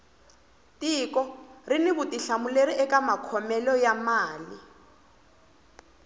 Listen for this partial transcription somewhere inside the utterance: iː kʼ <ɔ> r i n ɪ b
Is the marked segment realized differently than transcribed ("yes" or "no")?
no